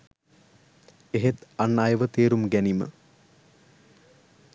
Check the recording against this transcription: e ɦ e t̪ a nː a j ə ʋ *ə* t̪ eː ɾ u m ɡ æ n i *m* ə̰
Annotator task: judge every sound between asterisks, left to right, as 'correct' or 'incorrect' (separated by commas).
correct, correct